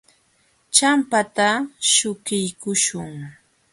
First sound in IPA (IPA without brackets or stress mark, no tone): t͡ʃ